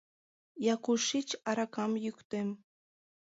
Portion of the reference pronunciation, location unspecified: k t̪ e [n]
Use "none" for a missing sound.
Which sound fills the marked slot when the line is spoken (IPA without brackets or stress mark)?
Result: m